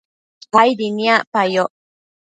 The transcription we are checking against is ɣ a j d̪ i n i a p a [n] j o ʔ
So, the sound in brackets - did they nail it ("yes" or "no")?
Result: no